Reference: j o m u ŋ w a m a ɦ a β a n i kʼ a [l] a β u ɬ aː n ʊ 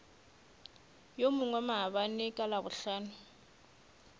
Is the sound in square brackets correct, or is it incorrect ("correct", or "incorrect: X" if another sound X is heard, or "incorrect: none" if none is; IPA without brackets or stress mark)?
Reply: correct